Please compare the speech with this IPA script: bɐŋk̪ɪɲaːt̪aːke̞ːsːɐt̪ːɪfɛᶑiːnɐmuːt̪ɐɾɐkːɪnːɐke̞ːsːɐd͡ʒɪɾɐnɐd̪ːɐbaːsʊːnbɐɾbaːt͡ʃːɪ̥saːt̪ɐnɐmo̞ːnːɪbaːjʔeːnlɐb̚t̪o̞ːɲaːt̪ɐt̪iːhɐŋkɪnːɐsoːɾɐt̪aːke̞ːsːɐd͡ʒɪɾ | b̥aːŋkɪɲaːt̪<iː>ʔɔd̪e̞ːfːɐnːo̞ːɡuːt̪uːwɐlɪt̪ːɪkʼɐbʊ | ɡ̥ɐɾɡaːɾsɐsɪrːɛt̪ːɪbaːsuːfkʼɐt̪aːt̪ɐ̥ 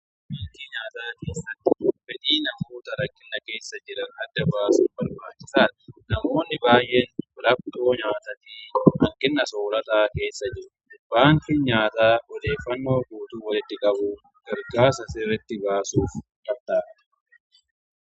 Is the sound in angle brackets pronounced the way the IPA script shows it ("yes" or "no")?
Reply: no